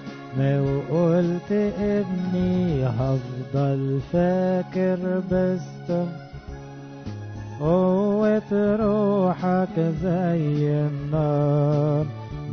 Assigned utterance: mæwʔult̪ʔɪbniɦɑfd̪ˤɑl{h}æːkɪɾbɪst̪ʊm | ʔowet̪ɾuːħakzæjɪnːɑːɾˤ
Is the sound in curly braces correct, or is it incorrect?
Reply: incorrect: f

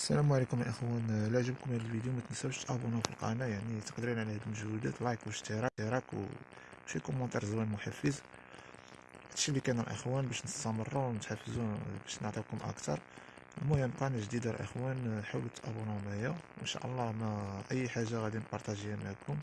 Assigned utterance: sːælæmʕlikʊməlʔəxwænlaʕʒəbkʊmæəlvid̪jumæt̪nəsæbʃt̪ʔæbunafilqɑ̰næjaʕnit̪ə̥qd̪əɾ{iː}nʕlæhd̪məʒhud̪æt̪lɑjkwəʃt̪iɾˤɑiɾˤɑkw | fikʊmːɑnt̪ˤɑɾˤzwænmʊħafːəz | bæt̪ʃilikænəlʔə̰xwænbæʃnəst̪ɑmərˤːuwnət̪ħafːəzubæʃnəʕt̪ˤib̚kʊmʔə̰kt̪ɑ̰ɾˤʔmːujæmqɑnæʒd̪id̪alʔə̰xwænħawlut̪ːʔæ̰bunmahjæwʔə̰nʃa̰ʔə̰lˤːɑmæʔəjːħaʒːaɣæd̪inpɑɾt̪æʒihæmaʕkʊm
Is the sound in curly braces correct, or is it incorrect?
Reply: incorrect: i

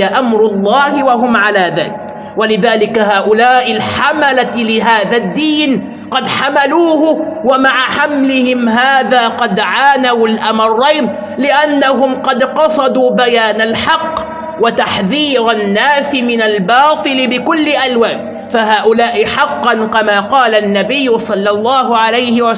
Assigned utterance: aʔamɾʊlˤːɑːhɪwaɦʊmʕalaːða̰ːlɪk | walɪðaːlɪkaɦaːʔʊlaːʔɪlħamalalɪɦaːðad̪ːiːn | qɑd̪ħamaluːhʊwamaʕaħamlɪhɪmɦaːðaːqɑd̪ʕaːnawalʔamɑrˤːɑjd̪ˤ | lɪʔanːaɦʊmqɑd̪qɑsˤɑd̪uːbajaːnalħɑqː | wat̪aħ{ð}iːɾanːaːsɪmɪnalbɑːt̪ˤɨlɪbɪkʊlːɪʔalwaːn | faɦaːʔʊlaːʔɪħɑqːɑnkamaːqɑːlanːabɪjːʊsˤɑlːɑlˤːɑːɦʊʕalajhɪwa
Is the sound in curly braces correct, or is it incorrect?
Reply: correct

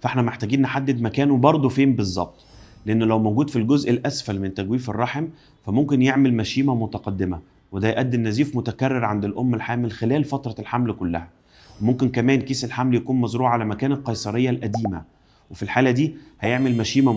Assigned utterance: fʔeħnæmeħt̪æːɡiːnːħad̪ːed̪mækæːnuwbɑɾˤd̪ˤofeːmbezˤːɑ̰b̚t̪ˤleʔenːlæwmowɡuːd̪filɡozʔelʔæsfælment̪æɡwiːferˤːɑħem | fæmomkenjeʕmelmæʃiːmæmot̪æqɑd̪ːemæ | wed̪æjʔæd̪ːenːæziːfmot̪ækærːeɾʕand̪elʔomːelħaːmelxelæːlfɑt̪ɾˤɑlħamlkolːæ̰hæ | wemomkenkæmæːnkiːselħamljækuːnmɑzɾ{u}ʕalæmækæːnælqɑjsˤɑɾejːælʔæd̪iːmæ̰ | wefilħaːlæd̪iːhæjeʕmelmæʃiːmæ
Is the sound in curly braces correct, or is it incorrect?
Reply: incorrect: uː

